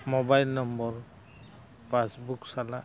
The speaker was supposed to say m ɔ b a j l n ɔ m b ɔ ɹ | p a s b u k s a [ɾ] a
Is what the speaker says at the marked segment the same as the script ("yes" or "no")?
no